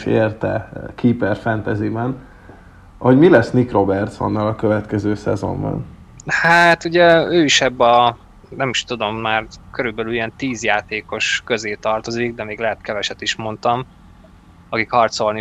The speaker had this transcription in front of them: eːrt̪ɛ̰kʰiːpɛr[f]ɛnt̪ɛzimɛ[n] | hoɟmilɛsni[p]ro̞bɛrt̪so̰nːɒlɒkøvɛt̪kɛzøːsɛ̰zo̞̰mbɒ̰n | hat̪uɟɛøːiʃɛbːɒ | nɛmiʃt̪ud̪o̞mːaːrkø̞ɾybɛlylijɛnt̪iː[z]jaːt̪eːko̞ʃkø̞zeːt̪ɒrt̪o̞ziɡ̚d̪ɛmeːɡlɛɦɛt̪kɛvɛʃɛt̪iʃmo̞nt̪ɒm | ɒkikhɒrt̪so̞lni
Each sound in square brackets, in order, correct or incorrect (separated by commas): correct, correct, incorrect, correct